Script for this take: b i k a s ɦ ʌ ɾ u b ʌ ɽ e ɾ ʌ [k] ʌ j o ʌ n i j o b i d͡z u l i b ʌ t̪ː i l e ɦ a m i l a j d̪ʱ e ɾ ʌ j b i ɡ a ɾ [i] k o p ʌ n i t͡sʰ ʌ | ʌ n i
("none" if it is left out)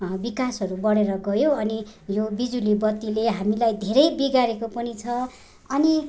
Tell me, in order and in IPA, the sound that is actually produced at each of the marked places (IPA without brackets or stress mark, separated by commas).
ɡ, e